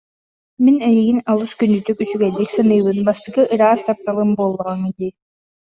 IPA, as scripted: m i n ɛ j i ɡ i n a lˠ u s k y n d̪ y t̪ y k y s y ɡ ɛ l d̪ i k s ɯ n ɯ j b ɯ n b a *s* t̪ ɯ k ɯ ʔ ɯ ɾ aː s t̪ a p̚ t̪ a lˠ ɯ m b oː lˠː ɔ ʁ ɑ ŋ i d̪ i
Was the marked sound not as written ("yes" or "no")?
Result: no